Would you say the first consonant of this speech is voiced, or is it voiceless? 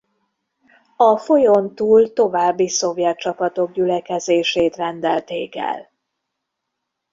voiceless